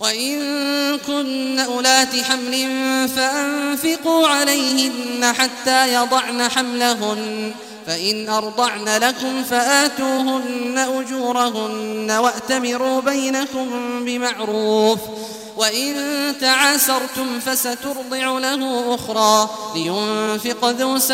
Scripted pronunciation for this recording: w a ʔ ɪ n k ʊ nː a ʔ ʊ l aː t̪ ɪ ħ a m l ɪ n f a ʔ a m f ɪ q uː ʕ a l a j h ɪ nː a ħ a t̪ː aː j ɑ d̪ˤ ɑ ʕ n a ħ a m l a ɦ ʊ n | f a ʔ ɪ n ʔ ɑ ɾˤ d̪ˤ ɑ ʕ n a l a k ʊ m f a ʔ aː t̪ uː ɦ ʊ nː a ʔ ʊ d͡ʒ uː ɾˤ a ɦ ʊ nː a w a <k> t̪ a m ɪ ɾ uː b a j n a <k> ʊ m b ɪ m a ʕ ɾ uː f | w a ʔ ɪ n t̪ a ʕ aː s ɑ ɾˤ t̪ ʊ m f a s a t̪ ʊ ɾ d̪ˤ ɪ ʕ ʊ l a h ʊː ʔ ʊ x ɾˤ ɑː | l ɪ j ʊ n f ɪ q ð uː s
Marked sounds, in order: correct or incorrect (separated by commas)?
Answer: incorrect, correct